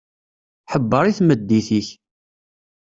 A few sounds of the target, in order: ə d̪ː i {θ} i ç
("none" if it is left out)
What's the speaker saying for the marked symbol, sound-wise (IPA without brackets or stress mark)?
θ